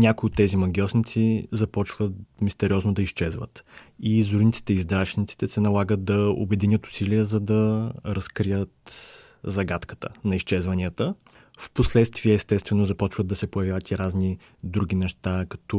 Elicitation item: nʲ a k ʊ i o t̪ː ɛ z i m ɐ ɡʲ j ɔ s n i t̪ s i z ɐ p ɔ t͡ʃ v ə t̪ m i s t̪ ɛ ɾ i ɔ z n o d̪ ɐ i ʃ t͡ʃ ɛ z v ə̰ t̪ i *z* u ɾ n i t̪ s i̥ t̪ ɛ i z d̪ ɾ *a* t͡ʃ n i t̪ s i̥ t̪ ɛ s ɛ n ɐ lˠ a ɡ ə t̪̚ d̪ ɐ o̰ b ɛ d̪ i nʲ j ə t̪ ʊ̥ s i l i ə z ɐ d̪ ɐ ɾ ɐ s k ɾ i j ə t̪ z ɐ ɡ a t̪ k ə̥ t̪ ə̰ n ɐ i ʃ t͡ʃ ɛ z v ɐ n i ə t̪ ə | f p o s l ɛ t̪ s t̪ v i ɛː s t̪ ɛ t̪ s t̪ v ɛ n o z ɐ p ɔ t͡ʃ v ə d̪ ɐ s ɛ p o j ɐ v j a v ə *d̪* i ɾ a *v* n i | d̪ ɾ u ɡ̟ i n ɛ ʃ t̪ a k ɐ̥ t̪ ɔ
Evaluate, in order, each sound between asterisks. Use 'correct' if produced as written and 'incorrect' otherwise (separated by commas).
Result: correct, correct, incorrect, incorrect